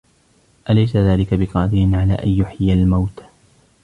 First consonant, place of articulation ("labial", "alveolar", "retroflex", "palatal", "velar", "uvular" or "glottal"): glottal